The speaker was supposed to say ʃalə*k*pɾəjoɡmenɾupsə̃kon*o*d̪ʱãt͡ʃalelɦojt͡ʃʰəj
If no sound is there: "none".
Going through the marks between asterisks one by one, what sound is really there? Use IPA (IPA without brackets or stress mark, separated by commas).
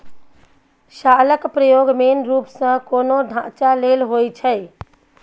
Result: k, o